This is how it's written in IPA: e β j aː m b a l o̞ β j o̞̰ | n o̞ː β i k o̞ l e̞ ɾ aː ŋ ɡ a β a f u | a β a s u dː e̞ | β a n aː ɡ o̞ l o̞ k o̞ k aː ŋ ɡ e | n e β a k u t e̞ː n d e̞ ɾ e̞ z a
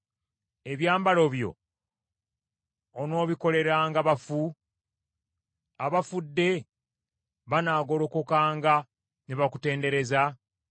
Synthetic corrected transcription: e β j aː m b a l o̞ β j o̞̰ | n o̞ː β i k o̞ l e̞ ɾ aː ŋ ɡ a β a f u | a β a f u dː e̞ | β a n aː ɡ o̞ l o̞ k o̞ k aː ŋ ɡ a | n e β a k u t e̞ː n d e̞ ɾ e̞ z a